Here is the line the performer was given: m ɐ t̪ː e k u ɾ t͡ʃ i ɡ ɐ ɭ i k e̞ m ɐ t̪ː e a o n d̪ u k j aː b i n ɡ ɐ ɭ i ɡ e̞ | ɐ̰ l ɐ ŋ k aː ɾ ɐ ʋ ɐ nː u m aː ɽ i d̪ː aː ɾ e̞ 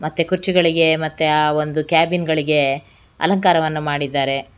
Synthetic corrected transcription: m ɐ t̪ː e k u ɾ t͡ʃ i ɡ ɐ ɭ i ɡ e̞ m ɐ t̪ː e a o n d̪ u k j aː b i n ɡ ɐ ɭ i ɡ e̞ | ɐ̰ l ɐ ŋ k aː ɾ ɐ ʋ ɐ nː u m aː ɽ i d̪ː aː ɾ e̞